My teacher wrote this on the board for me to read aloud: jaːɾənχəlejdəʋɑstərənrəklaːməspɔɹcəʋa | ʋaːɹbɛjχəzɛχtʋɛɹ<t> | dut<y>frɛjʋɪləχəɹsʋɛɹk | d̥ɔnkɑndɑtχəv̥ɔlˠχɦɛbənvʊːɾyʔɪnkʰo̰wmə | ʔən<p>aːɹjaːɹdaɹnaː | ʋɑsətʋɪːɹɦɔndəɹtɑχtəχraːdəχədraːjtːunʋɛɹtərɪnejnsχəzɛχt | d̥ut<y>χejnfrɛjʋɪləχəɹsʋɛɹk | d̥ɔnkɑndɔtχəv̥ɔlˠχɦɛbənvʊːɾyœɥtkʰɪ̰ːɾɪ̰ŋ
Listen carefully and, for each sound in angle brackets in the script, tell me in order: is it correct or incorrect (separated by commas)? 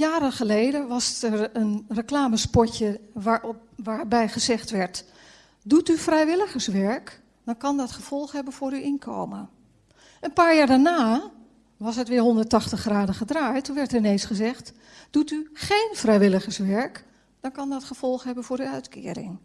correct, correct, correct, correct